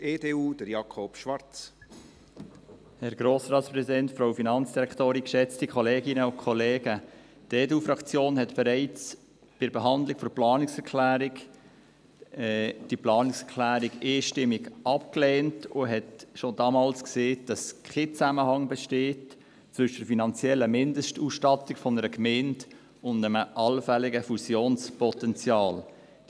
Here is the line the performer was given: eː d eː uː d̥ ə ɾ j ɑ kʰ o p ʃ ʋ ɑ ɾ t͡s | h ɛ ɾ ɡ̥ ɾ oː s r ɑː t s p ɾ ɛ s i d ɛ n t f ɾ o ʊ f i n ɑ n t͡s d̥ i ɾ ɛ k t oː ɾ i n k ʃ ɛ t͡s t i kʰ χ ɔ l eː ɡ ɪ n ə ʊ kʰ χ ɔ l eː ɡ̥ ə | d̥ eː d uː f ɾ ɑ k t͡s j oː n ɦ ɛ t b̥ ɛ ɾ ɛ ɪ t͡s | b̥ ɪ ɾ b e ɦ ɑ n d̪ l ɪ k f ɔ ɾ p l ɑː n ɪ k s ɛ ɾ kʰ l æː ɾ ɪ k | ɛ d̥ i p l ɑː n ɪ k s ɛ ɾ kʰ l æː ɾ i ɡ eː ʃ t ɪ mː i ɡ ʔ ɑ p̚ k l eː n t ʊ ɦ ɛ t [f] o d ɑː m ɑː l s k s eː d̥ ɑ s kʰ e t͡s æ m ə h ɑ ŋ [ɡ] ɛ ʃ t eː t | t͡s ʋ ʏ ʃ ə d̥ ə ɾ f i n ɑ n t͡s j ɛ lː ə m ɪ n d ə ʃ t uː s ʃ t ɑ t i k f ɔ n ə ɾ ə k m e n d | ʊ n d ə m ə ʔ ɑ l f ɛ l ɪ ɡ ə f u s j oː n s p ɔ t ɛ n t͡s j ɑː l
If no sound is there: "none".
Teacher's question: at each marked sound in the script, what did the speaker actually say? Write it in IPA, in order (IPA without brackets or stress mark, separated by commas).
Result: ʃ, b